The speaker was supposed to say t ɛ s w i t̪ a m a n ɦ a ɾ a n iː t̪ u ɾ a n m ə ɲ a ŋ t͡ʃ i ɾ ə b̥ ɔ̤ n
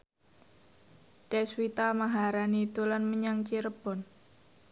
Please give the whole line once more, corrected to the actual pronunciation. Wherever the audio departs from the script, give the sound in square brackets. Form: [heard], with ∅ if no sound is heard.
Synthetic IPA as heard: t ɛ s w i t̪ a m a [∅] ɦ a ɾ a n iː t̪ u [l] a n m ə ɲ a ŋ t͡ʃ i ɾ ə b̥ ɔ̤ n